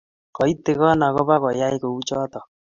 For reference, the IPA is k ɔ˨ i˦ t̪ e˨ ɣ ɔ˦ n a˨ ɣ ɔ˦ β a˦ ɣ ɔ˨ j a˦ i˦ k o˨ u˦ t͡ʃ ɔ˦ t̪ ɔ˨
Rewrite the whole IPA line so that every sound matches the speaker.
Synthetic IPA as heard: k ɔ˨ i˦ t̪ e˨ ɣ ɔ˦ n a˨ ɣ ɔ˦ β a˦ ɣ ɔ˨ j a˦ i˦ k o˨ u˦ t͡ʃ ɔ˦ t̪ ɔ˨